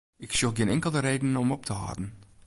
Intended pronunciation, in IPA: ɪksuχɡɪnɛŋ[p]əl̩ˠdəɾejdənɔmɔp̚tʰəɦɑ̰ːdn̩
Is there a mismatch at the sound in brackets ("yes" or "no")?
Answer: yes